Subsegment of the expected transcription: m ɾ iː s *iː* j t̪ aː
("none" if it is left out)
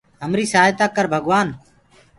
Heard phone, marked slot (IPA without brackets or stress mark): aː